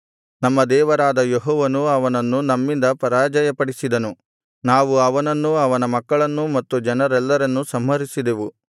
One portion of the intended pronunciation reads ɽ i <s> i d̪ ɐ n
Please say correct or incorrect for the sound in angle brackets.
correct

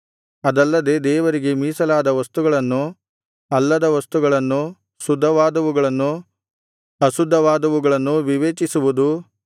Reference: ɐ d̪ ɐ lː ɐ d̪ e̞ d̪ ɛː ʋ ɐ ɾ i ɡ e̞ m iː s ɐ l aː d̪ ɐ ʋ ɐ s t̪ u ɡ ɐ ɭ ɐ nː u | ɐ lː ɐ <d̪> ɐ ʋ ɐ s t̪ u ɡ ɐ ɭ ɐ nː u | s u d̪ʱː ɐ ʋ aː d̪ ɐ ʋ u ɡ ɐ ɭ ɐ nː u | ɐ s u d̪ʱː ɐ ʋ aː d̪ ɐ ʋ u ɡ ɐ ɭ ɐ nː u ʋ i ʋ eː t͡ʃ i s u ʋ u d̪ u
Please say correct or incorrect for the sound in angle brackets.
correct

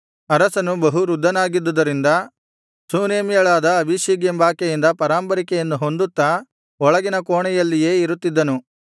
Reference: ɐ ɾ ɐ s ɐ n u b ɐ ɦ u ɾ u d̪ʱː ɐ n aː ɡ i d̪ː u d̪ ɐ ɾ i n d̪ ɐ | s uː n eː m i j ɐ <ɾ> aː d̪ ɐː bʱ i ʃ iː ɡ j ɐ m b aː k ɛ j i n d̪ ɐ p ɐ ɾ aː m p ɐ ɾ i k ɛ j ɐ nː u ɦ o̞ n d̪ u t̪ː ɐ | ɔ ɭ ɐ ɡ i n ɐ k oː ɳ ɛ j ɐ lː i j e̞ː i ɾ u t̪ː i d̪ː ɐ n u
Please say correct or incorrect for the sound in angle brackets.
incorrect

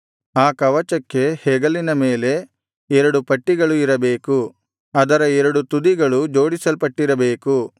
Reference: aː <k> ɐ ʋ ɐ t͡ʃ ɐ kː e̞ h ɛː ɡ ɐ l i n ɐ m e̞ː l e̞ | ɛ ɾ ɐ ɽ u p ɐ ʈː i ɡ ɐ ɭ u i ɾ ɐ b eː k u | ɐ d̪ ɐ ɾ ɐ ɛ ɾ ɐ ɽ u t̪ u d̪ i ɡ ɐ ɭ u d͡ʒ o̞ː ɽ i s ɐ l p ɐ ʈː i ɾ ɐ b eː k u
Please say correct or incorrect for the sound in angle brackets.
correct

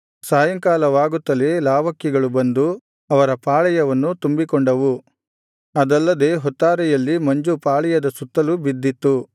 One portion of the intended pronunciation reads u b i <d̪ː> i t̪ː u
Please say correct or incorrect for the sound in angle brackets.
correct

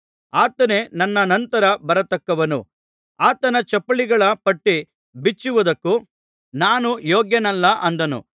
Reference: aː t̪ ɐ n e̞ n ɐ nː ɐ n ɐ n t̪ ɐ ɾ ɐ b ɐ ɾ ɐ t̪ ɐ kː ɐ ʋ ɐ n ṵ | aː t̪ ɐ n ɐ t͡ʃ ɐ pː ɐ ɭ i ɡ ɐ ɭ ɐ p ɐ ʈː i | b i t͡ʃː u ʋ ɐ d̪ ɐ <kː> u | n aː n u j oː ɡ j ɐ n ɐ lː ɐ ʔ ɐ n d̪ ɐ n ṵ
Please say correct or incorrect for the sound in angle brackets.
correct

